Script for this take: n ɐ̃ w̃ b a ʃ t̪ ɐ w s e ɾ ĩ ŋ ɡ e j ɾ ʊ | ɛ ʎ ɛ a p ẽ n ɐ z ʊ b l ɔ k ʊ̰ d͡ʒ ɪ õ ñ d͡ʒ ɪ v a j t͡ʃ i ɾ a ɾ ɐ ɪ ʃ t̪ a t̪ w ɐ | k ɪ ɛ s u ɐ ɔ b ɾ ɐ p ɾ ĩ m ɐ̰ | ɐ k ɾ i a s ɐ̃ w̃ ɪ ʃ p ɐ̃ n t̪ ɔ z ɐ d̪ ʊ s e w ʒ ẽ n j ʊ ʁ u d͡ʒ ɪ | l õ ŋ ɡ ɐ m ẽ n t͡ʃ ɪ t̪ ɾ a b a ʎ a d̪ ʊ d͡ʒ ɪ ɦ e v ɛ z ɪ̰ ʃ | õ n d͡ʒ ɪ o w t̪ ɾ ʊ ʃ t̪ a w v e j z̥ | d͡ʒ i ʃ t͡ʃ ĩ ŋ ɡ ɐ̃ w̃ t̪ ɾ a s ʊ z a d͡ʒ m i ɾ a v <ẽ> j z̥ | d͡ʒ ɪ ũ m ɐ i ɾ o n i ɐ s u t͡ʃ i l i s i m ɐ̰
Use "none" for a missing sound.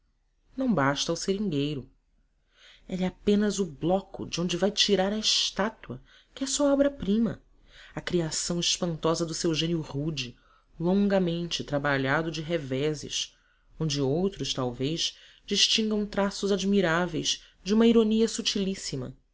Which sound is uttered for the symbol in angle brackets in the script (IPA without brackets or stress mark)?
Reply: e